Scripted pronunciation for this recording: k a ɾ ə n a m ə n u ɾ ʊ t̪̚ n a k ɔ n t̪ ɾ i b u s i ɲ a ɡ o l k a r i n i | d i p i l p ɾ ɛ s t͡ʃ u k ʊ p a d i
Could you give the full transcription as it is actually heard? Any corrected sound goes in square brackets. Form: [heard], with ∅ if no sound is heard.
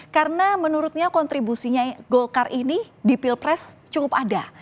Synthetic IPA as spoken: k a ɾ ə n a m ə n u ɾ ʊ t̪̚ [ɲ] a k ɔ n t̪ ɾ i b u s i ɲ a ɡ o l k a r i n i | d i p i l p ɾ ɛ s t͡ʃ u k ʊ p a d [a]